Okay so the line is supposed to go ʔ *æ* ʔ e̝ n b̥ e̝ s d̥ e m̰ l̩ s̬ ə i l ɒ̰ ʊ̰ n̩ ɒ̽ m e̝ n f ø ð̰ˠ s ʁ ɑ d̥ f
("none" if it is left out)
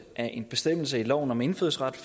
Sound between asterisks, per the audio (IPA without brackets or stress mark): æ